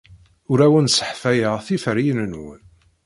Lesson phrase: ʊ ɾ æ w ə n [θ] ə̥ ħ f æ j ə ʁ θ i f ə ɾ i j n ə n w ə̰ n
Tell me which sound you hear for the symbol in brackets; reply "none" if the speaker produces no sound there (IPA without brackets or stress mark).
s